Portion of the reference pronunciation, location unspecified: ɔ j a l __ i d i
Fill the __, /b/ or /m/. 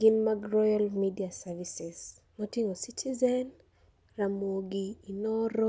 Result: m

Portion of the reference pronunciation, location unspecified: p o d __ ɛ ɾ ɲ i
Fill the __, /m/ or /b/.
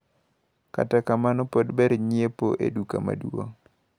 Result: b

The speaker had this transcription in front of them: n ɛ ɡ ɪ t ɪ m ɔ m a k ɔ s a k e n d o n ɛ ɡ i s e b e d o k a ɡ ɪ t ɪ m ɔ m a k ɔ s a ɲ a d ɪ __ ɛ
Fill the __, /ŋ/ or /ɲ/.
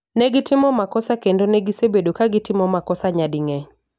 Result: ŋ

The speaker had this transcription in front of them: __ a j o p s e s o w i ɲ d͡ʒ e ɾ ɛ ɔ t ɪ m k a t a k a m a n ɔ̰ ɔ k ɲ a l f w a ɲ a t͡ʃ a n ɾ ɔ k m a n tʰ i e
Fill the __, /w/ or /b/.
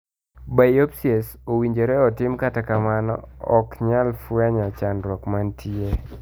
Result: b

